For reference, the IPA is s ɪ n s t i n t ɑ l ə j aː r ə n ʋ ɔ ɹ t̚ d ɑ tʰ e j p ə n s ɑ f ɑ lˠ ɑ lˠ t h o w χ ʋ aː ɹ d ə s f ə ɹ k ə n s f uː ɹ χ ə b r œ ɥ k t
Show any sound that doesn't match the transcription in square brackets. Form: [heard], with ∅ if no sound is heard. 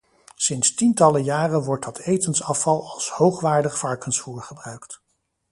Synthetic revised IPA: s ɪ n s t i n t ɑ l ə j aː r ə n ʋ ɔ ɹ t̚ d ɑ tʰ e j [t] ə n s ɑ f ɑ lˠ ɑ lˠ [s] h o w χ ʋ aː ɹ d ə [χ] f [ɑ] ɹ k ə n s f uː ɹ χ ə b r œ ɥ k t